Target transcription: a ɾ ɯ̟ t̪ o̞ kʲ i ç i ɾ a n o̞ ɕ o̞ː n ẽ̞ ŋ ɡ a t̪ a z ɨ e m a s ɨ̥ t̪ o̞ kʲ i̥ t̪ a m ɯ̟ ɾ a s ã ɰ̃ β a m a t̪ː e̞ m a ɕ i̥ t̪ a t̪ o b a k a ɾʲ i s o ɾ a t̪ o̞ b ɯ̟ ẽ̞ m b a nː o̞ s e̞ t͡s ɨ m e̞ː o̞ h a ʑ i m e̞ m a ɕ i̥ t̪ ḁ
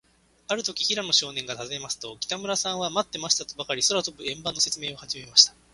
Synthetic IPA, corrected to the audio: a ɾ ɯ̟ t̪ o̞ kʲ i ç i ɾ a n o̞ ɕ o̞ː n ẽ̞ ŋ ɡ a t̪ a z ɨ e m a s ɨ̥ t̪ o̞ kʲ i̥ t̪ a m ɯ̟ ɾ a s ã ɰ̃ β a m a t̪ː e̞ m a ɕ i̥ t̪ a t̪ o b a k a ɾʲ i s o ɾ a t̪ o̞ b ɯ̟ ẽ̞ m b a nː o̞ s e̞ t͡s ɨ m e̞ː o̞ h a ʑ i m e̞ m a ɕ i̥ t̪ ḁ